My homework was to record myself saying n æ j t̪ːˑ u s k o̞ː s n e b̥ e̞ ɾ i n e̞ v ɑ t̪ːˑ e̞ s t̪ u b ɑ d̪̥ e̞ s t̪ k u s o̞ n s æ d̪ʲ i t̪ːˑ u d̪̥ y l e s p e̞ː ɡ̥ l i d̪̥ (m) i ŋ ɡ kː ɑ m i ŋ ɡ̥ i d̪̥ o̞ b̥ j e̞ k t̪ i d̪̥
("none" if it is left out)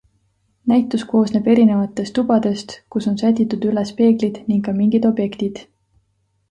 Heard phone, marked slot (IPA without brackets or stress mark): n